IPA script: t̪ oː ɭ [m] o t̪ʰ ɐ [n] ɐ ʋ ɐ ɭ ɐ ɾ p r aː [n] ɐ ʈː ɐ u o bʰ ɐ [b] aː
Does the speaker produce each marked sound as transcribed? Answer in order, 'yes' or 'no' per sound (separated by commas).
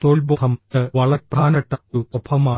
no, no, yes, no